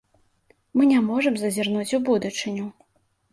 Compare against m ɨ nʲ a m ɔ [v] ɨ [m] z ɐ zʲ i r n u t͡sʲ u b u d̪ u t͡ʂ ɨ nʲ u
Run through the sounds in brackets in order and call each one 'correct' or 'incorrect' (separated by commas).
incorrect, correct